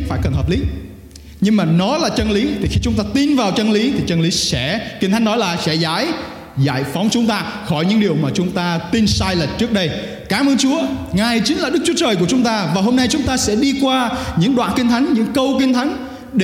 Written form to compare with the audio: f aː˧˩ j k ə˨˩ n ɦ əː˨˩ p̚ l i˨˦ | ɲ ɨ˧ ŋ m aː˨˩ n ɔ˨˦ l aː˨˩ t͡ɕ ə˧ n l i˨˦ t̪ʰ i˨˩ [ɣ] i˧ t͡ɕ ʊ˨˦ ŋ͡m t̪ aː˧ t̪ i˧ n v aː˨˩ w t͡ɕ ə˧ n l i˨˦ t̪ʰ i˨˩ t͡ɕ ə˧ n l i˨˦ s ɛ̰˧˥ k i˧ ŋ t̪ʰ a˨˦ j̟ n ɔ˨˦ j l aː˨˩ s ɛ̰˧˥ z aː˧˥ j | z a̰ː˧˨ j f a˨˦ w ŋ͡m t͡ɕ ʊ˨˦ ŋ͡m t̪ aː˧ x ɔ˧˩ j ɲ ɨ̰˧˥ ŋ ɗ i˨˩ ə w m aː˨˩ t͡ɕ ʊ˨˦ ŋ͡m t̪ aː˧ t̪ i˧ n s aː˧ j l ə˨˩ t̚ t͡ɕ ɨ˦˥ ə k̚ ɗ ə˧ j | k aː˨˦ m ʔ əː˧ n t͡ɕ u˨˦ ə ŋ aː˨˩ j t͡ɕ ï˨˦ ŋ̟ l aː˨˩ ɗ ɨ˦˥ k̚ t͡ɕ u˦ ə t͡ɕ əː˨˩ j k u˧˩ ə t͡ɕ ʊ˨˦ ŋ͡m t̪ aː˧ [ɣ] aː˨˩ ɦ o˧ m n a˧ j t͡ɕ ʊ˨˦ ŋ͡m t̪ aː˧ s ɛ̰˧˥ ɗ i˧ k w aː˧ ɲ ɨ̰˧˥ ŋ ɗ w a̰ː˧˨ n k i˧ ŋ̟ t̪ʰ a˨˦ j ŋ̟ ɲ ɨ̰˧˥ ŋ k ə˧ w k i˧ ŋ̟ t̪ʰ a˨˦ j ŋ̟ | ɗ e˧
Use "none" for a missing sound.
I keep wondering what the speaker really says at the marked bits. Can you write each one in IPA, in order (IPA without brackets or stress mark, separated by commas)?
x, v